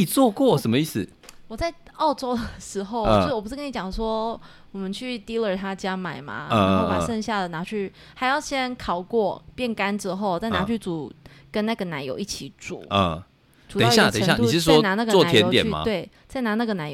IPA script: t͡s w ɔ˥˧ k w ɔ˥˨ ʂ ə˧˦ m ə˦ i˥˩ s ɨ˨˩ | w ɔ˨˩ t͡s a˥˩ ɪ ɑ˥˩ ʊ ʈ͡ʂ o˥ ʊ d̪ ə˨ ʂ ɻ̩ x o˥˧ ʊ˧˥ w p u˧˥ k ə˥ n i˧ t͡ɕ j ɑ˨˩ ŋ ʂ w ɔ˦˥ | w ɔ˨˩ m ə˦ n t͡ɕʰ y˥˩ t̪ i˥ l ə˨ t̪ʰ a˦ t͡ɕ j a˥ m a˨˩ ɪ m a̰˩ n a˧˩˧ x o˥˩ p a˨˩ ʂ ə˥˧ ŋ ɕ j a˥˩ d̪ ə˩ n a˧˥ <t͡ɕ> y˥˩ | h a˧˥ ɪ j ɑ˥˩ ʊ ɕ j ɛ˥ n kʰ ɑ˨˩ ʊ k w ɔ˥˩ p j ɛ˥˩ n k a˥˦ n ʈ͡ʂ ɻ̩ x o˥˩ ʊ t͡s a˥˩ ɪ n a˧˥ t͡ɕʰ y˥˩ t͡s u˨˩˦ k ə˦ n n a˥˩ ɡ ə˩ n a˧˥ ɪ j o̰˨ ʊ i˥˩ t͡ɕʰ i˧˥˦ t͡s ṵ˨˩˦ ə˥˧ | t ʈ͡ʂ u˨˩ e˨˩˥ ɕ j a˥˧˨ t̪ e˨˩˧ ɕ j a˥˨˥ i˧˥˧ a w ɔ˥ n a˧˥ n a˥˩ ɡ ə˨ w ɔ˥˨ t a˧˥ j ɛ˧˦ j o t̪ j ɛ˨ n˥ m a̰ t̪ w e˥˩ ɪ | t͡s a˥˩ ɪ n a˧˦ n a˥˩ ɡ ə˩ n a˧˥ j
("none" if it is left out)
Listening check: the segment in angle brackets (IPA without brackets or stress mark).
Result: t͡ɕʰ